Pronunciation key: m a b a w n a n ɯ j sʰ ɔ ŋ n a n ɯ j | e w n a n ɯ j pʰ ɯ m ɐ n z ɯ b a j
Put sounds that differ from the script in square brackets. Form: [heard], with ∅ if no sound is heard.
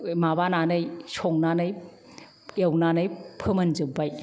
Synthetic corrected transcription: m a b a [∅] n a n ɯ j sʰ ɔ ŋ n a n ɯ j | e w n a n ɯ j pʰ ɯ m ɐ n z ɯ b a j